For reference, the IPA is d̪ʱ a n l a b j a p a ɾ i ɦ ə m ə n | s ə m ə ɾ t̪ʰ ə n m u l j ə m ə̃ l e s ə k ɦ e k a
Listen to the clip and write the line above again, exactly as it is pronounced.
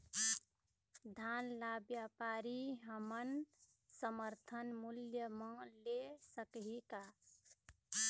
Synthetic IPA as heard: d̪ʱ a n l a b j a p a ɾ i ɦ ə m ə n | s ə m ə ɾ t̪ʰ ə n m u l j ə m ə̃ l e s ə k ɦ i k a